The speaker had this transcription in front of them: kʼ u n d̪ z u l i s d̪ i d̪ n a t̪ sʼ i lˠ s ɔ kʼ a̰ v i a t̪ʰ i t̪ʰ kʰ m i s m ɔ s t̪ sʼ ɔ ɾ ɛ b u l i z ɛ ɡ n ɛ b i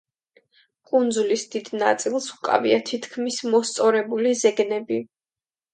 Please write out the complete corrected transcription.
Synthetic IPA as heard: kʼ u n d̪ z u l i s d̪ i d̪ n a t̪ sʼ i lˠ s u kʼ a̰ v i a t̪ʰ i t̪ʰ kʰ m i s m ɔ s t̪ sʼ ɔ ɾ ɛ b u l i z ɛ ɡ n ɛ b i